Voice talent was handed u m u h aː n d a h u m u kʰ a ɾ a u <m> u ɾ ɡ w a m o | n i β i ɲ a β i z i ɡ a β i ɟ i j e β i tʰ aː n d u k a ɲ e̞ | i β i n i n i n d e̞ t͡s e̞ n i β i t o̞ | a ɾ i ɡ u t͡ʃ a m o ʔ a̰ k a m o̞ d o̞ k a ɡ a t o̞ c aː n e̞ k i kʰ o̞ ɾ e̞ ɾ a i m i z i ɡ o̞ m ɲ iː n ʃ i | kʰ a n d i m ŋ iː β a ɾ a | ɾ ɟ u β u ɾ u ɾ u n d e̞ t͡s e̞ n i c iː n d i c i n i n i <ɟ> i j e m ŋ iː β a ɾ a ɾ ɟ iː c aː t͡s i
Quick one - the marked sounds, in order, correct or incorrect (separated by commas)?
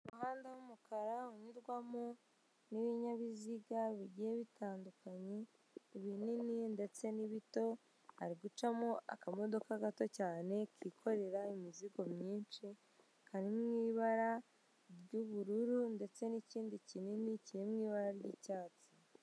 incorrect, incorrect